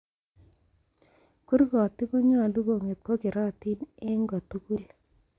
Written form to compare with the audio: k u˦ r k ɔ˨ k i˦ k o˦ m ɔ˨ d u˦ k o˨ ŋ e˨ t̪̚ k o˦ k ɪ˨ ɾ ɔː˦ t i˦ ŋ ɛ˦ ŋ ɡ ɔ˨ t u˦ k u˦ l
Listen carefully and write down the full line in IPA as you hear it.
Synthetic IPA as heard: k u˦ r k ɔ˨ t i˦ k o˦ ɲ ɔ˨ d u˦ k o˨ ŋ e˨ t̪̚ k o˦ k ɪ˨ ɾ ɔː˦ t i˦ n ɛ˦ ŋ ɡ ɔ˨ t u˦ k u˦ l

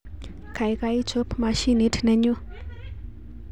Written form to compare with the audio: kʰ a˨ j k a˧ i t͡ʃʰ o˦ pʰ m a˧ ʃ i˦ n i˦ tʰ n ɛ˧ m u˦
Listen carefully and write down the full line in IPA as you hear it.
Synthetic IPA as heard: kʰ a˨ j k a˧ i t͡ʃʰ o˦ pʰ m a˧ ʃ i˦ n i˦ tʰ n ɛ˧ ɲ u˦

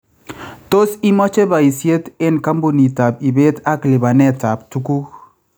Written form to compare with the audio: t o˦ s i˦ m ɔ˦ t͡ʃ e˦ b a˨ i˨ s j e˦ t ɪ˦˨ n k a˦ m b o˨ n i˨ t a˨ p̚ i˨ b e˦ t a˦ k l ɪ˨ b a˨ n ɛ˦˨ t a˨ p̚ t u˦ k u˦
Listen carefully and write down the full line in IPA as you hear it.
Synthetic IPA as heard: t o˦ s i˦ m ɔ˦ t͡ʃ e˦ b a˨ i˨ s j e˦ t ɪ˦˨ n k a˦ m b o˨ n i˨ t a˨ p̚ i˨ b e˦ t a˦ k l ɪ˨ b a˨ n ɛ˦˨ t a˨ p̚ t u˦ k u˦

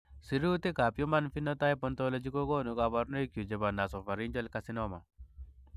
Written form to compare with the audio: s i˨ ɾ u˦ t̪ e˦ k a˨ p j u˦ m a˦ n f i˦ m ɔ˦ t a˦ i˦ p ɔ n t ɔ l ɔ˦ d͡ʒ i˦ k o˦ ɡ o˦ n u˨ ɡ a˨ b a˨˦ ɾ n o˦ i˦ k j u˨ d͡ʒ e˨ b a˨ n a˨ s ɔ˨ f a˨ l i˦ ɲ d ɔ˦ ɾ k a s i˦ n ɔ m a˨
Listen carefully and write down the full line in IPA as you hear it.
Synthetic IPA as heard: s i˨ ɾ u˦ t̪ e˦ k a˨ p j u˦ m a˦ n f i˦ n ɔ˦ t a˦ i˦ p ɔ n t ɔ l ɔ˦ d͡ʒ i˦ k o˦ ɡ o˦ n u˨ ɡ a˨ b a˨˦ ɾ n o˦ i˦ k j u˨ d͡ʒ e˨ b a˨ n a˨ s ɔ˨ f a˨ ɾ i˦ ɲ d͡ʒ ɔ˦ l k a s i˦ n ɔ m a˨

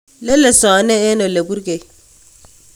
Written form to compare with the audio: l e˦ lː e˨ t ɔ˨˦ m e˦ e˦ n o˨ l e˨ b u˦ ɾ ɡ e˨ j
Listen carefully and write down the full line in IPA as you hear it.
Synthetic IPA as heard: l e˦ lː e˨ s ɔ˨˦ n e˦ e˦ n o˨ l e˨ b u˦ ɾ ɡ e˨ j

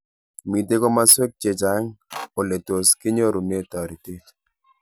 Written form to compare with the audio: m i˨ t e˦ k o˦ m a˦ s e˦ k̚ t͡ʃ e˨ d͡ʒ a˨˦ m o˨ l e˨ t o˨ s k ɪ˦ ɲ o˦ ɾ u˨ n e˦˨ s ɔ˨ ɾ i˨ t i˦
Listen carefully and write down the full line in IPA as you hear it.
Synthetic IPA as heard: m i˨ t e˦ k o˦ m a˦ s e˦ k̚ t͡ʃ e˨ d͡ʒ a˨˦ ŋ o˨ l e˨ t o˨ s k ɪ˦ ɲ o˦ ɾ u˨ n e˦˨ t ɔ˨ ɾ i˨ t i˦

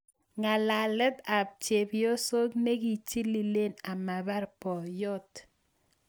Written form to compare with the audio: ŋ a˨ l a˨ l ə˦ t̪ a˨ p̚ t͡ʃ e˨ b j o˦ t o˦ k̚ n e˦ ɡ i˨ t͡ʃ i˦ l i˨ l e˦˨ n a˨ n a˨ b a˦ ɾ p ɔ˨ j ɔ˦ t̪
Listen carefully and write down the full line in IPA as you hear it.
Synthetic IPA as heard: ŋ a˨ l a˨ l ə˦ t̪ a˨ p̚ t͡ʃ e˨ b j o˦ s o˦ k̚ n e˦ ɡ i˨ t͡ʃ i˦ l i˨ l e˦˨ n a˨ m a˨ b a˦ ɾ p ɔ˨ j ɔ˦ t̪

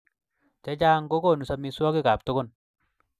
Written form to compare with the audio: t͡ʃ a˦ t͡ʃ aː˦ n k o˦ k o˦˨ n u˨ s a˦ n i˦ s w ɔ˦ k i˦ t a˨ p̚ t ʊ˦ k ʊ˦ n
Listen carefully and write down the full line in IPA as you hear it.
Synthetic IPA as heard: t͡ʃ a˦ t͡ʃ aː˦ ŋ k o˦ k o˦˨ n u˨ s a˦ m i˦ s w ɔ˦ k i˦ k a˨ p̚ t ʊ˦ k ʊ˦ n

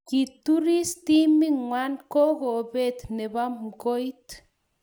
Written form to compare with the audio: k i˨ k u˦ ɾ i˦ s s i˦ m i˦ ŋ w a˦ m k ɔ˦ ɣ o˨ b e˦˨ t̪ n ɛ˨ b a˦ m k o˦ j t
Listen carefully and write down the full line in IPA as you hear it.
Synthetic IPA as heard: k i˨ t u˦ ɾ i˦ s t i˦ m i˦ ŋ w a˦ n k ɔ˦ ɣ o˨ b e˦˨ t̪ n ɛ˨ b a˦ m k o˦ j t

